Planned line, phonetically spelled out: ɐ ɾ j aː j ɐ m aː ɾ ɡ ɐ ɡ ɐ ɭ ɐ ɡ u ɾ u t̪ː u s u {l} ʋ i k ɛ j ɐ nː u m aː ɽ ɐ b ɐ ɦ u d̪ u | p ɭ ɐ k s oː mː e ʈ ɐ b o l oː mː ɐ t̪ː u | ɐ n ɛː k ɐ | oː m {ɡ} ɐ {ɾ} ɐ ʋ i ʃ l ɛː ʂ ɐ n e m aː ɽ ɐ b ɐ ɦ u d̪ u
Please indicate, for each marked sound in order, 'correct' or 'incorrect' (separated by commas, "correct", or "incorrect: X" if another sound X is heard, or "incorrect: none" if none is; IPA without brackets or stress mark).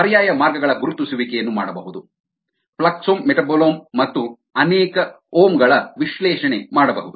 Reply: incorrect: none, correct, incorrect: ɭ